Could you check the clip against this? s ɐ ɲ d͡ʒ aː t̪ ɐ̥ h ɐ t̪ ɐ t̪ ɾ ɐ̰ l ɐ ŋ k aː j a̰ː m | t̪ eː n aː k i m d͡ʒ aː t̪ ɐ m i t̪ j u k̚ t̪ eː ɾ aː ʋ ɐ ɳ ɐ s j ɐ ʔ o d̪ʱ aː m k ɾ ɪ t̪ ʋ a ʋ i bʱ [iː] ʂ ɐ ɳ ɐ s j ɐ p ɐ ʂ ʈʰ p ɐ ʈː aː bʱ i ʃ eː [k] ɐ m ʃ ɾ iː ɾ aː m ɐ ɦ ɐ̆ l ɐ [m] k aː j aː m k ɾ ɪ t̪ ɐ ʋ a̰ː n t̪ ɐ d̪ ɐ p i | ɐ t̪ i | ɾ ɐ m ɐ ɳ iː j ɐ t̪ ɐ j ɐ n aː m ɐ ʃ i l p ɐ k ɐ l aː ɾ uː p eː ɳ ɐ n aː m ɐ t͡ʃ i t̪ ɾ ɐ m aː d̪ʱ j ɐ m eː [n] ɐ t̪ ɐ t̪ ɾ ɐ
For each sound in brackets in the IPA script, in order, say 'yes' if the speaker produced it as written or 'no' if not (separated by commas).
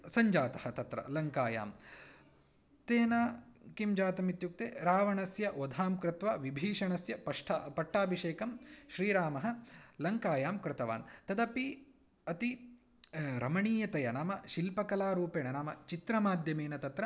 yes, yes, no, yes